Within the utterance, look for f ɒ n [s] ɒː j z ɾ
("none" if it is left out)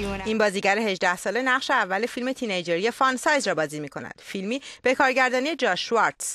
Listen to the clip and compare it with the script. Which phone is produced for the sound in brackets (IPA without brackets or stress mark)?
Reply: s